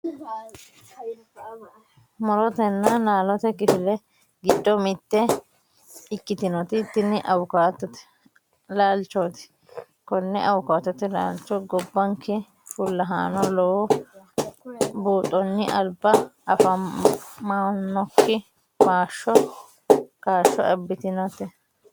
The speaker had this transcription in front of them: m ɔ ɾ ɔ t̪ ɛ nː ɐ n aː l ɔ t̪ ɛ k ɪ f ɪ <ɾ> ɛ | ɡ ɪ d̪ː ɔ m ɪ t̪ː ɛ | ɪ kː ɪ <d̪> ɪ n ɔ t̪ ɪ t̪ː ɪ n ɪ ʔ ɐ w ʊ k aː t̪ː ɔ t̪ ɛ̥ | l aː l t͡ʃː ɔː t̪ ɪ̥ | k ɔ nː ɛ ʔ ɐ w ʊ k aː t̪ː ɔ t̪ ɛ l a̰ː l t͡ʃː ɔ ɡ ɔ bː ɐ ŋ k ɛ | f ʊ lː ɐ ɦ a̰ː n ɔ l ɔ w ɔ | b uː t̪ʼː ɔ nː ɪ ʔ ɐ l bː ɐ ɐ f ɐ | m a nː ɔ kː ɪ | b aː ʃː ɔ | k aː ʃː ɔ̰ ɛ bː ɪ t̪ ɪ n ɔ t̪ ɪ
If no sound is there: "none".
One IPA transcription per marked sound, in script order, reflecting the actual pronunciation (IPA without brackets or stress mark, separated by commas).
l, t̪